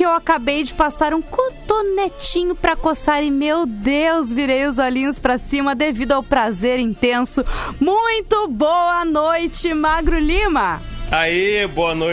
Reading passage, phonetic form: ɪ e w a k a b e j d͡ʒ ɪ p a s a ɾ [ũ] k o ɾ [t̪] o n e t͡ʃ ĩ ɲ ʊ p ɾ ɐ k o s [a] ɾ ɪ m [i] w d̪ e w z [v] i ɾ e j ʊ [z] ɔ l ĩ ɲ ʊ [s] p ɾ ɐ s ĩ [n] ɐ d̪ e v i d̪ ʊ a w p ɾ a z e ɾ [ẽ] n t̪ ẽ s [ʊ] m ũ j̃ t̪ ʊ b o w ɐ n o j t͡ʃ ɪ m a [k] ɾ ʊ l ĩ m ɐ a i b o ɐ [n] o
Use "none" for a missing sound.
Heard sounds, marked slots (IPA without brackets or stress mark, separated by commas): ũ, t̪, a, e, v, z, s, m, ĩ, ʊ, ɡ, n